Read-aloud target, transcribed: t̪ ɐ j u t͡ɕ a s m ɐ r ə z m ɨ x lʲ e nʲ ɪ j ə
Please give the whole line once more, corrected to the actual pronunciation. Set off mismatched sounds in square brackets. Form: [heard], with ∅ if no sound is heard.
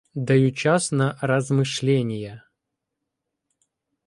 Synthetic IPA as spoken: [d̪] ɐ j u t͡ɕ a s [n] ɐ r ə z m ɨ [ʂ] lʲ e nʲ ɪ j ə

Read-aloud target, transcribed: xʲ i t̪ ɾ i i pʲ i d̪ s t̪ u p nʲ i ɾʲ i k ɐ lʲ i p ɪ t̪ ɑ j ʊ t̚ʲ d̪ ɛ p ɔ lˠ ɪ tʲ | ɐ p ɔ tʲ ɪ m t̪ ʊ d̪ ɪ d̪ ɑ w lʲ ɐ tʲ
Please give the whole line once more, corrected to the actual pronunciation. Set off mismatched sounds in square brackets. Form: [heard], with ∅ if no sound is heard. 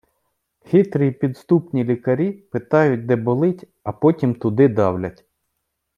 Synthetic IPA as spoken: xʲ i t̪ ɾ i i pʲ i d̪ s t̪ u p nʲ i [lʲ] i k ɐ [ɾʲ] i p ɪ t̪ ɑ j ʊ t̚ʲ d̪ ɛ [b] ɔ lˠ ɪ tʲ | ɐ p ɔ tʲ [i] m t̪ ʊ d̪ ɪ d̪ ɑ w lʲ ɐ tʲ

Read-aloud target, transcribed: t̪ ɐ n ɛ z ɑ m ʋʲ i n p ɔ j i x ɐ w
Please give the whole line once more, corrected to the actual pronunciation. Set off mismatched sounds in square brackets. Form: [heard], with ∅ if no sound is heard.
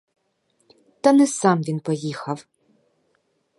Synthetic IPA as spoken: t̪ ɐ n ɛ [s] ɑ m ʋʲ i n p ɔ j i x ɐ w

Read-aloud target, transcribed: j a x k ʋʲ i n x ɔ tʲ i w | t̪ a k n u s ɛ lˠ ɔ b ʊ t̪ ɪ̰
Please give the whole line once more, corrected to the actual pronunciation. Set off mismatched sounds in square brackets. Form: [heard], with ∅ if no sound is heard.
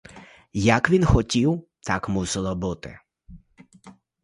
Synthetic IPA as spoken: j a [∅] k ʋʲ i n x ɔ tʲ i w | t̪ a k [m] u s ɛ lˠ ɔ b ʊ t̪ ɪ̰

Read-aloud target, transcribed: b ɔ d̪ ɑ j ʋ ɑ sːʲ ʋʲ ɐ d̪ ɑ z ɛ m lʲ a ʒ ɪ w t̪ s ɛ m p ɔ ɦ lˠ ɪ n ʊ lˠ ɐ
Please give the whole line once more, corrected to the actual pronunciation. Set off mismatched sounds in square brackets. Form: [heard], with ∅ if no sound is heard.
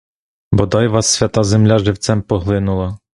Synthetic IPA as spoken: b ɔ d̪ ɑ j ʋ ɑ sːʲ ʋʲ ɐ [t̪] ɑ z [e] m lʲ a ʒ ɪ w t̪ s ɛ m p ɔ ɦ lˠ ɪ n ʊ lˠ ɐ

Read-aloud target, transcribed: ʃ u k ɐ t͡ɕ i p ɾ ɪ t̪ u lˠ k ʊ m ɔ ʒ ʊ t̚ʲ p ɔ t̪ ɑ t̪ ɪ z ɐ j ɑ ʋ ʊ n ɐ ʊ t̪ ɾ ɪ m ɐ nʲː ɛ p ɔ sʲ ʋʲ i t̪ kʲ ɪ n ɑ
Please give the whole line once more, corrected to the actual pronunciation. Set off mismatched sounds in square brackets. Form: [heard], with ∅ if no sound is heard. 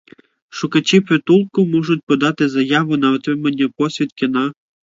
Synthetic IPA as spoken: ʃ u k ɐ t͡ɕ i p ɾ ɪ t̪ u lˠ k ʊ m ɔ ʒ ʊ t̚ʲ p ɔ [d̪] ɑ t̪ ɪ z ɐ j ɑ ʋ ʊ n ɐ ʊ t̪ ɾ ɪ m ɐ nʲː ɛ p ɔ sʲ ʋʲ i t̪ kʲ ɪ n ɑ

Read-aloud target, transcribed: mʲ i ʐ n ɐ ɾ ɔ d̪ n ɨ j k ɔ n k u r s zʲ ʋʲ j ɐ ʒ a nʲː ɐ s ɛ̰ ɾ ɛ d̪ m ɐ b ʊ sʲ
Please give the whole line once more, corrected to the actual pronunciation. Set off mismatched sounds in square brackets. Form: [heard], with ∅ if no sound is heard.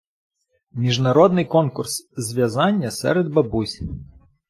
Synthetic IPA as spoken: mʲ i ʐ n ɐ ɾ ɔ d̪ n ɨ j k ɔ n k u r s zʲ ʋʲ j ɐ [z] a nʲː ɐ s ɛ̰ ɾ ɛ d̪ [b] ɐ b [u] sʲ

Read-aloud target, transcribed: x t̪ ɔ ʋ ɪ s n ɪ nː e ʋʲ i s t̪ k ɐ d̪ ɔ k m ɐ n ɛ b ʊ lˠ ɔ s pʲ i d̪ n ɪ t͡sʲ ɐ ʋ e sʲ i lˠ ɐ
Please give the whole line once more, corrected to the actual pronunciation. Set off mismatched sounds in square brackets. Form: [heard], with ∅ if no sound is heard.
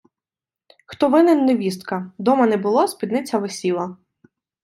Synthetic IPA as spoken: x t̪ ɔ ʋ ɪ [∅] n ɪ nː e ʋʲ i s t̪ k ɐ d̪ ɔ [∅] m ɐ n ɛ b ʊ lˠ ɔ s pʲ i d̪ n ɪ t͡sʲ ɐ ʋ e sʲ i lˠ ɐ

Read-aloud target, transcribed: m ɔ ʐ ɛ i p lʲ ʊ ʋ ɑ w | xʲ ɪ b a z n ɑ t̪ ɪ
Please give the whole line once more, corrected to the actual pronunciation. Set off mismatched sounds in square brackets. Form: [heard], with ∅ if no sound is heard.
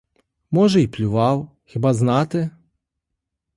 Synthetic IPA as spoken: m ɔ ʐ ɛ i p lʲ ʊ ʋ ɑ w | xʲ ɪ b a z n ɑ t̪ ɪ

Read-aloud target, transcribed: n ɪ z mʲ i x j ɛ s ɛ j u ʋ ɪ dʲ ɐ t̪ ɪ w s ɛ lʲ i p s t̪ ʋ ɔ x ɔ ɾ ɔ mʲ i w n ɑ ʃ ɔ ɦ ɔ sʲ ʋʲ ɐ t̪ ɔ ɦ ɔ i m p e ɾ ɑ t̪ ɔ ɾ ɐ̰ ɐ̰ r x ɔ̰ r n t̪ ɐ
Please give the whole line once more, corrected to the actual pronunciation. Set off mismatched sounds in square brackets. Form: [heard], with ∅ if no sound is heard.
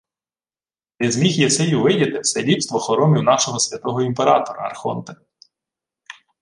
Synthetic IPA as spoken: n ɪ z mʲ i x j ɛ s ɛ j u ʋ ɪ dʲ ɐ t̪ ɪ w s ɛ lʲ i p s t̪ ʋ ɔ x ɔ ɾ ɔ mʲ i w n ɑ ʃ ɔ ɦ ɔ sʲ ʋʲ ɐ t̪ ɔ ɦ ɔ i m p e ɾ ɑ t̪ ɔ ɾ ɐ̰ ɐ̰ r x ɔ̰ [∅] n t̪ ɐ

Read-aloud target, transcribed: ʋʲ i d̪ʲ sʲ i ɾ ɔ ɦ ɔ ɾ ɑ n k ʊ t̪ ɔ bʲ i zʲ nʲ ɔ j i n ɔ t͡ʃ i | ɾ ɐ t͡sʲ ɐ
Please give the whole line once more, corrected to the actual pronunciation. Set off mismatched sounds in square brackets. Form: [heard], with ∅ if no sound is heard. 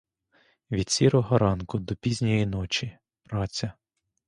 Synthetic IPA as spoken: ʋʲ i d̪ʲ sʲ i ɾ ɔ ɦ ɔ ɾ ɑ n k ʊ [d̪] ɔ [pʲ] i zʲ nʲ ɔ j i n ɔ t͡ʃ i | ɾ [ɑ] t͡sʲ ɐ

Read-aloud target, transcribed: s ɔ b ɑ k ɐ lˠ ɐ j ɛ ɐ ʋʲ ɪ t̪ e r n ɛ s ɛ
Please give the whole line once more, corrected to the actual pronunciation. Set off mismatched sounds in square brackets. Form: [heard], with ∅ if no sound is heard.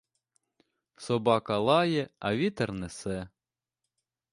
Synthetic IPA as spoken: s ɔ b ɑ k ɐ lˠ [ɑ] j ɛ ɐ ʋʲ [i] t̪ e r n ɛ s ɛ

